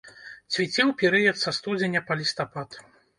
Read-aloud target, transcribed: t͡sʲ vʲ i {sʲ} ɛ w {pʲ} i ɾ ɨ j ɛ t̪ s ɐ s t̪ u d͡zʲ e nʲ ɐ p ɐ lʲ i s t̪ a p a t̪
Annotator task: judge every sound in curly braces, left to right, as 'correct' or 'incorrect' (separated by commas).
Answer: incorrect, correct